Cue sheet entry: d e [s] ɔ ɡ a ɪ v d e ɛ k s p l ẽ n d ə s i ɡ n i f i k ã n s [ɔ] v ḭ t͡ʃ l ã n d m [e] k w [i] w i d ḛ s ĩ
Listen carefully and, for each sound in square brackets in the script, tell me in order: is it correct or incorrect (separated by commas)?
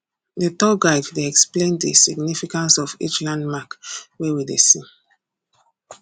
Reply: incorrect, correct, incorrect, incorrect